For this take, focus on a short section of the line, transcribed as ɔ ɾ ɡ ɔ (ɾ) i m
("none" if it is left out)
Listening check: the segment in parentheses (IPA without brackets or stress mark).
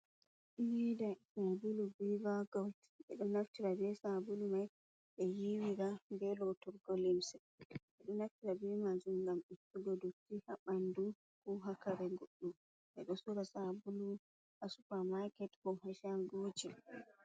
l